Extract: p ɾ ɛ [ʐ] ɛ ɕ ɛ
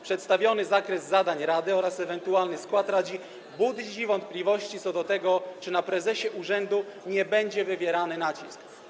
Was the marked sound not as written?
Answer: yes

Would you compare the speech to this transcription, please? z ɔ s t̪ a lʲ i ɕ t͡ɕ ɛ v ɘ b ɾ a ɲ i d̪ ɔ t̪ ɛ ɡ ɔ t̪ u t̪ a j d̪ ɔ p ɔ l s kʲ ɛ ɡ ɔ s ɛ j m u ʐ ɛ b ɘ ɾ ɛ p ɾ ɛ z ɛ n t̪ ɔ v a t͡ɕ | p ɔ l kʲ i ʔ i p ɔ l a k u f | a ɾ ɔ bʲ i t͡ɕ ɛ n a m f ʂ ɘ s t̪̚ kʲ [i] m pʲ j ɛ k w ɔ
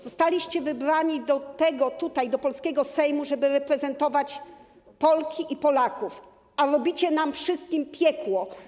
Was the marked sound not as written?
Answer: no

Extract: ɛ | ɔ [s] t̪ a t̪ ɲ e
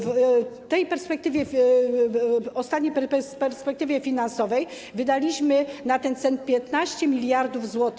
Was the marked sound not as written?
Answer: no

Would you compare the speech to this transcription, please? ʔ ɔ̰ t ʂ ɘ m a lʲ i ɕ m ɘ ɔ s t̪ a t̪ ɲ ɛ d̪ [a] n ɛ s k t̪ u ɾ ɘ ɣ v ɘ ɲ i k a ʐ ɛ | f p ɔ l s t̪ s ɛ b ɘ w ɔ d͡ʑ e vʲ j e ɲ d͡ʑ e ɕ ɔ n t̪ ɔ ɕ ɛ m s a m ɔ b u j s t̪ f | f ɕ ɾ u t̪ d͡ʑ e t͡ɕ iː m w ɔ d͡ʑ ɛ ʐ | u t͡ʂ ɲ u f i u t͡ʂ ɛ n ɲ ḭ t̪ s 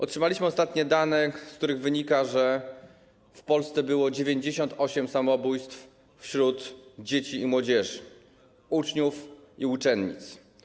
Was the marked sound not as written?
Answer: no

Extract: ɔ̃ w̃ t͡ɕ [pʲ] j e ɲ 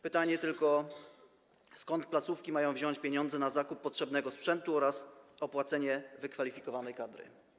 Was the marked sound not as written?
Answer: no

